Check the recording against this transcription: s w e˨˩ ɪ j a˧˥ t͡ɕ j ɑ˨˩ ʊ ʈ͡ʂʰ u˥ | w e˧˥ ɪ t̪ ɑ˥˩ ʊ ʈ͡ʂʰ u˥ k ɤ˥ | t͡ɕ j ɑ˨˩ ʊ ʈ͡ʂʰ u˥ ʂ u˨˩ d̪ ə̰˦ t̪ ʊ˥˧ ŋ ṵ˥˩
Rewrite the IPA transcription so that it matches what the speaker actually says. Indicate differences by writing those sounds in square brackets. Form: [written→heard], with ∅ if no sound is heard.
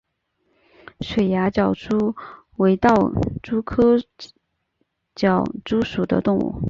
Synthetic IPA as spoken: [s→ʂ] w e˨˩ ɪ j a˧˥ t͡ɕ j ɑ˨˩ ʊ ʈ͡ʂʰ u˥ | w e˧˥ ɪ t̪ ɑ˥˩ ʊ [ʈ͡ʂʰ→ʈ͡ʂ] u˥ [k→kʰ] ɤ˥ | t͡ɕ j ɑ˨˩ ʊ [ʈ͡ʂʰ→ʈ͡ʂ] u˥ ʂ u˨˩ d̪ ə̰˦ t̪ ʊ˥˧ ŋ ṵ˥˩